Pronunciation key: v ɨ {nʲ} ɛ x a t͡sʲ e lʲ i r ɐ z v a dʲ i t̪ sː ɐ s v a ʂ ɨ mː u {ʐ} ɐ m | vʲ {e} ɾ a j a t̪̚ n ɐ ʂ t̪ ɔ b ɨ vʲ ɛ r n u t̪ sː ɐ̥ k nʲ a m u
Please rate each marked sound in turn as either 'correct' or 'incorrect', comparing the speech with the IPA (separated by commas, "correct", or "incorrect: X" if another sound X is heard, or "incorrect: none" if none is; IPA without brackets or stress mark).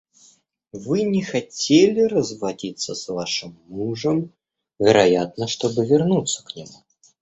correct, correct, incorrect: ɛ